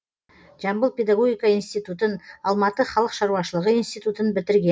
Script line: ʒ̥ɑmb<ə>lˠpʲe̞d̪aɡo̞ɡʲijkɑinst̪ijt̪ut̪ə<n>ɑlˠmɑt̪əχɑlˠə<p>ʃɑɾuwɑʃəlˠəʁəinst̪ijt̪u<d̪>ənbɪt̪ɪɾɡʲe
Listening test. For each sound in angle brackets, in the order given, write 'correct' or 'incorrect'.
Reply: correct, correct, incorrect, incorrect

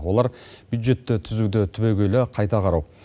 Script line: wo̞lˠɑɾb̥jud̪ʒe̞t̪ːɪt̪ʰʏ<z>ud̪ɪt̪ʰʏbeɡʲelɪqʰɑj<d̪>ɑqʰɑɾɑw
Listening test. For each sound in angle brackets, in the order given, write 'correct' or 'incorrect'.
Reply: correct, incorrect

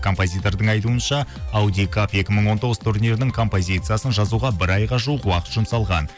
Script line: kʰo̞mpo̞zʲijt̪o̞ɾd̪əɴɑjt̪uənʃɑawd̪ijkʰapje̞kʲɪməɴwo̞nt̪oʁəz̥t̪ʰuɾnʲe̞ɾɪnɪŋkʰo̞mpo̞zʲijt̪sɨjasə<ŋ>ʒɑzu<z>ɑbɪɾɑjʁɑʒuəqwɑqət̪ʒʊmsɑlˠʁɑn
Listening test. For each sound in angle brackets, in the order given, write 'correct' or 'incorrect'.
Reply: incorrect, incorrect

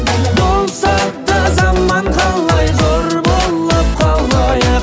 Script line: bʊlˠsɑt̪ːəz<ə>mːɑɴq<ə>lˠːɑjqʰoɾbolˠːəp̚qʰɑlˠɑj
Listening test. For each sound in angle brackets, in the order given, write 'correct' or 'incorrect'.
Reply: incorrect, incorrect

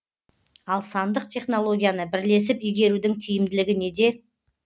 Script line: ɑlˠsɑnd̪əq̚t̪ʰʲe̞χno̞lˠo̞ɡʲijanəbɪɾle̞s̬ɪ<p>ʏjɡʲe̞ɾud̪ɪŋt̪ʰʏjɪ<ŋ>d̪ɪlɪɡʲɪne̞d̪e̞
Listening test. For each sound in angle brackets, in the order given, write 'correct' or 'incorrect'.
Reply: correct, incorrect

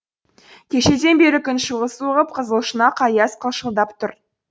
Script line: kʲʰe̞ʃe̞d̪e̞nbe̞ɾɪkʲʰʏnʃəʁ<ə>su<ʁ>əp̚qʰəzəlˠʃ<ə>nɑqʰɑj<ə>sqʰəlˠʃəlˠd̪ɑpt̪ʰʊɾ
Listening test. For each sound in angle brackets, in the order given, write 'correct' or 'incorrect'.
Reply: correct, correct, correct, incorrect

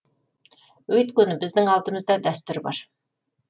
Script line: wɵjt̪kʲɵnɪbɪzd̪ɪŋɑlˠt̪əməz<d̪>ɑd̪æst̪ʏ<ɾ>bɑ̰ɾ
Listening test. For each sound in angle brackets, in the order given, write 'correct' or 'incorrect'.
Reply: correct, correct

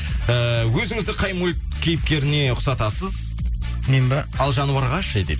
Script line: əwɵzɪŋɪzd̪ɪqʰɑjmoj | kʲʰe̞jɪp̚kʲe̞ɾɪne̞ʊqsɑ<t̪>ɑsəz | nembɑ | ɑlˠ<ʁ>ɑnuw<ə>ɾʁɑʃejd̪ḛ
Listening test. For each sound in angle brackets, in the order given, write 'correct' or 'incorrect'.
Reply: correct, incorrect, incorrect

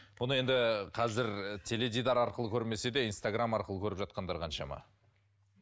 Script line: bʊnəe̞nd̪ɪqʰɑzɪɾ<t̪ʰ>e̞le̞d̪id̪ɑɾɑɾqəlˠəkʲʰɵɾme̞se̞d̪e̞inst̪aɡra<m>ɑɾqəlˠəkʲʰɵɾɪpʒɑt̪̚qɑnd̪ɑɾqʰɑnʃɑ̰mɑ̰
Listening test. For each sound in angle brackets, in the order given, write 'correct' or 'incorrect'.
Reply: correct, correct

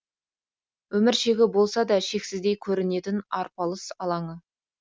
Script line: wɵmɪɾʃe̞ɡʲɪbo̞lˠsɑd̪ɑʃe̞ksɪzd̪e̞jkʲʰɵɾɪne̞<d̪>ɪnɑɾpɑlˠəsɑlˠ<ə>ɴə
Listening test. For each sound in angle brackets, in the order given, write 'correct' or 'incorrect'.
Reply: incorrect, incorrect

